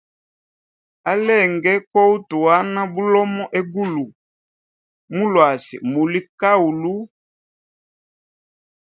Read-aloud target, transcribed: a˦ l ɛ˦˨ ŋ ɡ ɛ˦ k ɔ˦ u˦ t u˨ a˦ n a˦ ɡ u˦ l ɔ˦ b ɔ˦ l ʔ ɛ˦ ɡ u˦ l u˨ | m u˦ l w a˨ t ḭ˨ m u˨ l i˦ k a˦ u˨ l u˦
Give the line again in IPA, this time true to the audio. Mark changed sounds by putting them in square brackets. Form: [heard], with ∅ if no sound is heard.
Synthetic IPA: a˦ l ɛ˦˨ ŋ ɡ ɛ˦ k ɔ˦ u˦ t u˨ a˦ n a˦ [b] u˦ l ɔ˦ [m] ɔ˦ [∅] ʔ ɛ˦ ɡ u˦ l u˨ | m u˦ l w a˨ [s] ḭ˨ m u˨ l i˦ k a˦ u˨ l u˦